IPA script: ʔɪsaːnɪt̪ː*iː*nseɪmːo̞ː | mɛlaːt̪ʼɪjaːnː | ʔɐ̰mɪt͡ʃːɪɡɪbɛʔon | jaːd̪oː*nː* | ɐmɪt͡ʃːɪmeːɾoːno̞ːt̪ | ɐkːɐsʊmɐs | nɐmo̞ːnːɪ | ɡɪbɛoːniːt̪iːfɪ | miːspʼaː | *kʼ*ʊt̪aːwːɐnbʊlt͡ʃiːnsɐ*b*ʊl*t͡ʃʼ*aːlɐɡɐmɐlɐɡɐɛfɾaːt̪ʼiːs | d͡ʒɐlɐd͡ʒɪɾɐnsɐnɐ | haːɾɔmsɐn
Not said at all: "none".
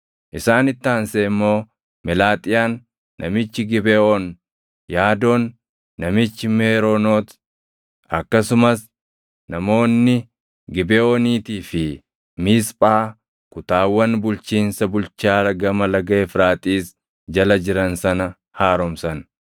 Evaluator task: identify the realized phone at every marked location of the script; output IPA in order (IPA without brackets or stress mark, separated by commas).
aː, nː, k, b, t͡ʃ